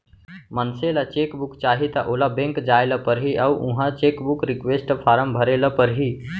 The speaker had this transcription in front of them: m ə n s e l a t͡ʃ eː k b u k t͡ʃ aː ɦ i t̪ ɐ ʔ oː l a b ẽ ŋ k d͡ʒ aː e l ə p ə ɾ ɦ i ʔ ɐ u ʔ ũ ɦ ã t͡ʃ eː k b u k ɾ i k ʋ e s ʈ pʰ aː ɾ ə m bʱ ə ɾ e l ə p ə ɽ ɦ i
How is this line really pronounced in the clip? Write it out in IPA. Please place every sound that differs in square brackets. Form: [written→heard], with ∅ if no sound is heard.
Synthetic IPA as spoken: m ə n s e l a t͡ʃ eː k b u k t͡ʃ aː ɦ i t̪ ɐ ʔ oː l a b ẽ ŋ k d͡ʒ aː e l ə p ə ɾ ɦ i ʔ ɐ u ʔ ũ ɦ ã t͡ʃ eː k b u k ɾ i k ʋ e s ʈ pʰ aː ɾ ə m bʱ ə ɾ e l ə p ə [ɽ→ɾ] ɦ i